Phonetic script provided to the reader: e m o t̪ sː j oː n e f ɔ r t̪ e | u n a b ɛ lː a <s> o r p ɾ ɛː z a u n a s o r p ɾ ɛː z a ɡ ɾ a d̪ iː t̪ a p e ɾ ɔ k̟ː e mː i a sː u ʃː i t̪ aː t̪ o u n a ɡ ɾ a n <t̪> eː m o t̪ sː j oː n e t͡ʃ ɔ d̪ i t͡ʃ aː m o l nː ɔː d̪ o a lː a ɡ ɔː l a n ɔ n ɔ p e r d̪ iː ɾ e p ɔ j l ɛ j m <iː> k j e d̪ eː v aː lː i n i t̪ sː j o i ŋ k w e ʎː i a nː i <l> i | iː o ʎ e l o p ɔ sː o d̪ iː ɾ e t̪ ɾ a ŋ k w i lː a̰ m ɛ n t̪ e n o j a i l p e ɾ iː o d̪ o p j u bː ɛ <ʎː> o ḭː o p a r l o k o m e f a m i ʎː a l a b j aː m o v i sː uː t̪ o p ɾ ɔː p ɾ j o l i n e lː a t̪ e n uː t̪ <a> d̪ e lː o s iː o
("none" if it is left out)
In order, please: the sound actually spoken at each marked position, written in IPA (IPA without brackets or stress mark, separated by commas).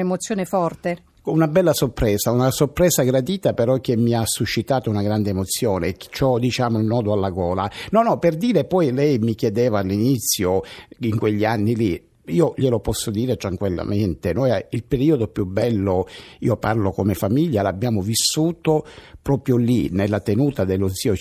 s, d̪, i, l, lː, a